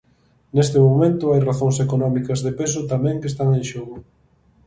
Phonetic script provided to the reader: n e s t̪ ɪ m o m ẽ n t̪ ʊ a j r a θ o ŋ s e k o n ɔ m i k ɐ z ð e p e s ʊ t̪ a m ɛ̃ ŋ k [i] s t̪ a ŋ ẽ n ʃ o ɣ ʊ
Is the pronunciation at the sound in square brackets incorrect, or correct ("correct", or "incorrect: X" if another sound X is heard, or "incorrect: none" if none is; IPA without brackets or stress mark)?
incorrect: e